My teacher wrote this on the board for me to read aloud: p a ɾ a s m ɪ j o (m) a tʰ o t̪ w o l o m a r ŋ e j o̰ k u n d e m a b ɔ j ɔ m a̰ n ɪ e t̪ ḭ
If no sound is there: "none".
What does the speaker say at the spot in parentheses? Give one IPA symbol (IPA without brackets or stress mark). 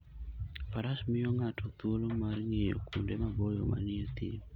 ŋ